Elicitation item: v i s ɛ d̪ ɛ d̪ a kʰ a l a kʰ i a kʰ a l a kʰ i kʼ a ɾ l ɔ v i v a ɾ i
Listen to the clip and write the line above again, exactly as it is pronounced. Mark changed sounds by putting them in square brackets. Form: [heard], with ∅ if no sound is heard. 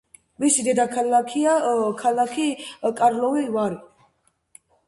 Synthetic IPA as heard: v i s [i] d̪ ɛ d̪ a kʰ a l a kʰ i a kʰ a l a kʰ i kʼ a ɾ l ɔ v i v a ɾ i